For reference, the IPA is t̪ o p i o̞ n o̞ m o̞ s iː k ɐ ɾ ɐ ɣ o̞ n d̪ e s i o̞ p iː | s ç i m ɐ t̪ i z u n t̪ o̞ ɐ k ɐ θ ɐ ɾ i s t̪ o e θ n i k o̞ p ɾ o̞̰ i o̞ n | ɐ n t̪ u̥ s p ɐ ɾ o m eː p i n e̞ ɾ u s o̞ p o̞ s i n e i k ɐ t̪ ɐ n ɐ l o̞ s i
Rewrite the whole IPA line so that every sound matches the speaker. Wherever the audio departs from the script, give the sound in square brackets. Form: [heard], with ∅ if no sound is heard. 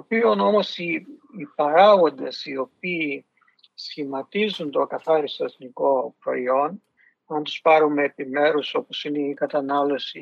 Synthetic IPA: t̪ o p i o̞ n o̞ m o̞ s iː [p] ɐ ɾ ɐ ɣ o̞ n d̪ e s i o̞ p iː | s ç i m ɐ t̪ i z u n t̪ o̞ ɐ k ɐ θ ɐ ɾ i s t̪ o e θ n i k o̞ p ɾ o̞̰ i o̞ n | ɐ n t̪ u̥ s p ɐ ɾ [u] m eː p i [m] e̞ ɾ u s o̞ p o̞ s i n e i k ɐ t̪ ɐ n ɐ l o̞ s i